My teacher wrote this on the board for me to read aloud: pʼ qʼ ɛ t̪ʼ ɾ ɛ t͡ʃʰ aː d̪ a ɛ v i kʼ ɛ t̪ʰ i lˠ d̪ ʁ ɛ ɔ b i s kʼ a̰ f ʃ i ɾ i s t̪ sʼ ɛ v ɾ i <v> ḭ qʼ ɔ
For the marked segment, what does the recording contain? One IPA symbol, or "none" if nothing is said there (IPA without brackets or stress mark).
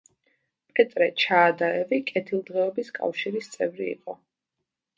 none